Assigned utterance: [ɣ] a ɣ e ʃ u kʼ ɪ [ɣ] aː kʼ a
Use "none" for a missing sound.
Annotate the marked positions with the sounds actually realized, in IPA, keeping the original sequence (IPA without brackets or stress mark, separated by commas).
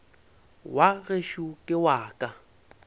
w, w